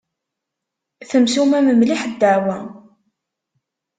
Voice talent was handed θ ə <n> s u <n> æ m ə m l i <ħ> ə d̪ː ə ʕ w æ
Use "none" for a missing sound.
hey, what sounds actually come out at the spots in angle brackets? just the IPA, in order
m, m, ħ

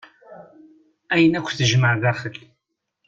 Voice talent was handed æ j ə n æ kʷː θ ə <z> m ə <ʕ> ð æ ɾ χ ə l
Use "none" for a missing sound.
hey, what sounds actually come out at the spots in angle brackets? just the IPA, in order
ʒ, ʕ

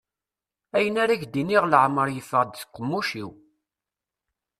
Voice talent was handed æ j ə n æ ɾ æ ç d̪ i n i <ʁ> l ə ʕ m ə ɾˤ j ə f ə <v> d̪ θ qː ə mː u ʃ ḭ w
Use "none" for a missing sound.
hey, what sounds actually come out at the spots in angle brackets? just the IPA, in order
ʁ, ʁ

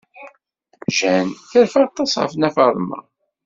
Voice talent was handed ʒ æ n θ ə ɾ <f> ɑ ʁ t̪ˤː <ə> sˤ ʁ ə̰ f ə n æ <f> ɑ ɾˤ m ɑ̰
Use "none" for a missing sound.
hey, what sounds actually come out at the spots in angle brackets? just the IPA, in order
f, ɑ, f

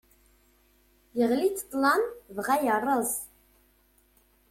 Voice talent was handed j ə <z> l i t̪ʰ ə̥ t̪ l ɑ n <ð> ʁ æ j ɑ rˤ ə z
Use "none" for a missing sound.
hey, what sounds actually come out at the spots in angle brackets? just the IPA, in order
ʁ, v

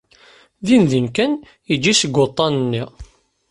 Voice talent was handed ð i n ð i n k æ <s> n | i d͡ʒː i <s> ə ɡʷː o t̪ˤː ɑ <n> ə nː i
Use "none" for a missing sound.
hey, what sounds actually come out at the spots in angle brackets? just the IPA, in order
none, s, n

